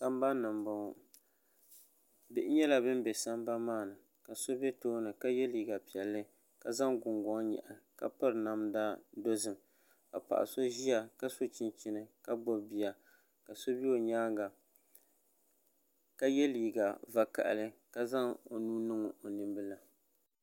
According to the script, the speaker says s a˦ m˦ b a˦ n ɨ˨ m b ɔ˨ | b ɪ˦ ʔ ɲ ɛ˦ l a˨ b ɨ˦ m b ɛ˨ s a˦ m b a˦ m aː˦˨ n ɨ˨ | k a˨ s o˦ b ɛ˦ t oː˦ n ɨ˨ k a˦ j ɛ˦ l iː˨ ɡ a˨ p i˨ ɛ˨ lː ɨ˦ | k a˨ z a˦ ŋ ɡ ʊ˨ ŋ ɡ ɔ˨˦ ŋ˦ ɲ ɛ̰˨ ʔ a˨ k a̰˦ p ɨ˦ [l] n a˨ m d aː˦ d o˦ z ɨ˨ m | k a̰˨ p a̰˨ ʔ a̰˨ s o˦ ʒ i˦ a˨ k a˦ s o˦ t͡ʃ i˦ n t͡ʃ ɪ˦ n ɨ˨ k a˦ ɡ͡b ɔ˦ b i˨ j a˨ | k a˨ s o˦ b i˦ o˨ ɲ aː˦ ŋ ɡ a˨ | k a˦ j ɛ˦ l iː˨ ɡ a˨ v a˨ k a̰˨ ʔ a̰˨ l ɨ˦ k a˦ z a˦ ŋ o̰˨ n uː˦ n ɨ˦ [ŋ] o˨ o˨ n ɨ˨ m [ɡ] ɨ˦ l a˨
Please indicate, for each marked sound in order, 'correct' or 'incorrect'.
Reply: incorrect, correct, incorrect

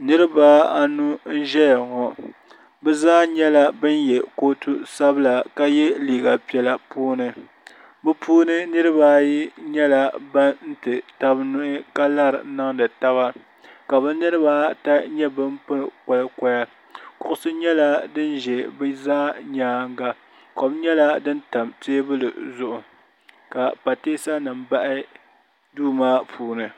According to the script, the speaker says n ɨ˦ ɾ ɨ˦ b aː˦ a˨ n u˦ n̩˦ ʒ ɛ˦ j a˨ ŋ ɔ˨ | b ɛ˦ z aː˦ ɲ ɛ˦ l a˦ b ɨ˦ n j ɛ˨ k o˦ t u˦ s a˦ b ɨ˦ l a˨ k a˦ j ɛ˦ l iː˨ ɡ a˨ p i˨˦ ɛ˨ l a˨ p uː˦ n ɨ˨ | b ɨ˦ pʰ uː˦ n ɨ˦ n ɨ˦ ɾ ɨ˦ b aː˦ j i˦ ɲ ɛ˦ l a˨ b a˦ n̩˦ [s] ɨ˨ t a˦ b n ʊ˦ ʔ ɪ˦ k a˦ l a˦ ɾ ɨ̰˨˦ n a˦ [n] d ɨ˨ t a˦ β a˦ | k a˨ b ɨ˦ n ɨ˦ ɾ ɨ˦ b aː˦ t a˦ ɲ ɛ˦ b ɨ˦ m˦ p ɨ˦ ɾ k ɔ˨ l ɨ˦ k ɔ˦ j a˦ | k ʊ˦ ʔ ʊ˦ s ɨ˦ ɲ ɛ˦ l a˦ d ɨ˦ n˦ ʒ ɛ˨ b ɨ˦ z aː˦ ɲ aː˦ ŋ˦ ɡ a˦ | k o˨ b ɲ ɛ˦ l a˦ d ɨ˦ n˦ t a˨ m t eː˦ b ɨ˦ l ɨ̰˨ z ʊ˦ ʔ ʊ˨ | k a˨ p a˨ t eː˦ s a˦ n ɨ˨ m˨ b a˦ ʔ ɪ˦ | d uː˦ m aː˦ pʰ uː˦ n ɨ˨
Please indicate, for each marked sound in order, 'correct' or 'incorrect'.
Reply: incorrect, incorrect

